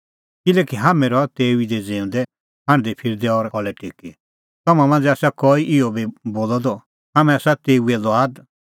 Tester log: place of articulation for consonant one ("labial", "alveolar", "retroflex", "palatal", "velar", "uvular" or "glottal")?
velar